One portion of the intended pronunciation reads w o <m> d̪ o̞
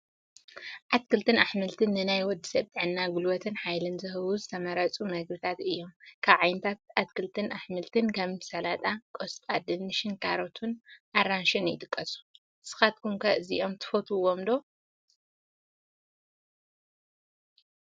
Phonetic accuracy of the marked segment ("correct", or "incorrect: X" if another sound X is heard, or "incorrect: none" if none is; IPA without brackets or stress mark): correct